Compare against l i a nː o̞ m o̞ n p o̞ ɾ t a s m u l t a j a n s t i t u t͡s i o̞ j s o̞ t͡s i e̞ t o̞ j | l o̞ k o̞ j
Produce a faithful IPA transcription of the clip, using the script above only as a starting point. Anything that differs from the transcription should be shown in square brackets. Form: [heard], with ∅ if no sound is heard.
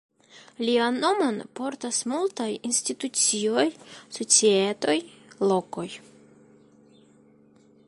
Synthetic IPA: l i a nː o̞ m o̞ n p o̞ ɾ t a s m u l t a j [i] n s t i t u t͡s i o̞ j s o̞ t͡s i e̞ t o̞ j | l o̞ k o̞ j